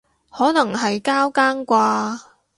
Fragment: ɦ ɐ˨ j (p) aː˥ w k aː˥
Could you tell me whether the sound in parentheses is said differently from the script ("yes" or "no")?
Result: yes